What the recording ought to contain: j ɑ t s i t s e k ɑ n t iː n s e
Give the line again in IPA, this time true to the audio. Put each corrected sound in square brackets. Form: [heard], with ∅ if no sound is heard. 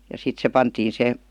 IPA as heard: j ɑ [∅] s i t s e [p] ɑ n t iː n s e